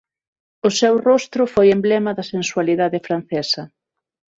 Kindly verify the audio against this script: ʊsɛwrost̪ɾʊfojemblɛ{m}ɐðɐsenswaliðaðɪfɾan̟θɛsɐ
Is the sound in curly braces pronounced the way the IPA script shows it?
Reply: yes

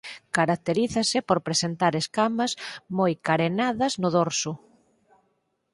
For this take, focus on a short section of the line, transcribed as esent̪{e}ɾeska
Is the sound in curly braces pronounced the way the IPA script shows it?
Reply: no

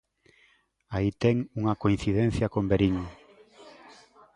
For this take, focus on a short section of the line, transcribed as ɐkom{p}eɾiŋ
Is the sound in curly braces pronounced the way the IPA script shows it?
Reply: no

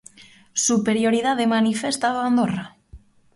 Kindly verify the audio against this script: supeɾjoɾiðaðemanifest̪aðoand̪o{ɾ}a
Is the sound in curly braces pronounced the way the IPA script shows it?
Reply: no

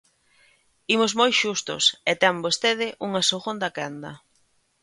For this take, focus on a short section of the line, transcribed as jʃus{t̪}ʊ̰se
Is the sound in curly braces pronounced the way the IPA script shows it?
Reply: yes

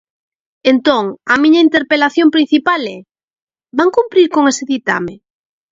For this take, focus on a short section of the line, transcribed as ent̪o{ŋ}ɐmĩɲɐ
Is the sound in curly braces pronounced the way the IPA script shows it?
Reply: yes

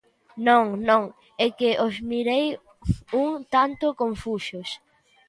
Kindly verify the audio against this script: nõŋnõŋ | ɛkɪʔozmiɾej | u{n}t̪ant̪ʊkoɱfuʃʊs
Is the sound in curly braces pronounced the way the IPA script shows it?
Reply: no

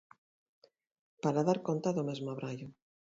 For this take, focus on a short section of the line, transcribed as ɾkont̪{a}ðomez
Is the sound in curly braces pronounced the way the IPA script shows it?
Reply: yes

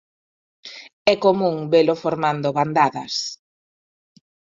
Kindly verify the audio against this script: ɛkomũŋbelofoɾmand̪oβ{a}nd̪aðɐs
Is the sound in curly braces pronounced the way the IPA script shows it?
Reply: yes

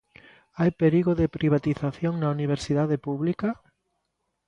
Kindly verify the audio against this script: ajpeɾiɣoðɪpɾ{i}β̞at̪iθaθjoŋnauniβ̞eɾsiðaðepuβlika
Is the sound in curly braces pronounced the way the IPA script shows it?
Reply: yes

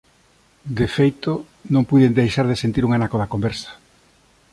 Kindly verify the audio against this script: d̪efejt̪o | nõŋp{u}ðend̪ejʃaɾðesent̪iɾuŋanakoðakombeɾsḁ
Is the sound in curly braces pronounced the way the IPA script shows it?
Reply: yes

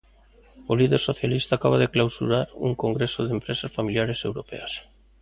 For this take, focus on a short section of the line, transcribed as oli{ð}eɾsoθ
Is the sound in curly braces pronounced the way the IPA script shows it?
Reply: yes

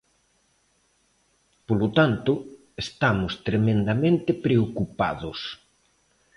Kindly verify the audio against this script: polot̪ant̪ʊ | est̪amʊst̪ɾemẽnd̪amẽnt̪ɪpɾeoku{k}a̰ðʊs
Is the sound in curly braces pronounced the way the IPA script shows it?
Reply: no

